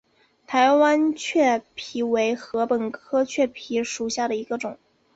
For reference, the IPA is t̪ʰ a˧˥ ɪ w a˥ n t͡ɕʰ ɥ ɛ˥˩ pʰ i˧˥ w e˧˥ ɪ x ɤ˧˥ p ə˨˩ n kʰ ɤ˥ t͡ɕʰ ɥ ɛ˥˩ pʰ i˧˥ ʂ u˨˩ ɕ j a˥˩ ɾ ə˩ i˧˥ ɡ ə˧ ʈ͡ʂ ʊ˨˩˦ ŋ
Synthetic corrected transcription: t̪ʰ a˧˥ ɪ w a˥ n t͡ɕʰ ɥ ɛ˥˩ pʰ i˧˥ w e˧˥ ɪ x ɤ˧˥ p ə˨˩ n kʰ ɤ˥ t͡ɕʰ ɥ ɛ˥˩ pʰ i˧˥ ʂ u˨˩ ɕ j a˥˩ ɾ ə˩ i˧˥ ɡ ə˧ ʈ͡ʂ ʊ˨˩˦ ŋ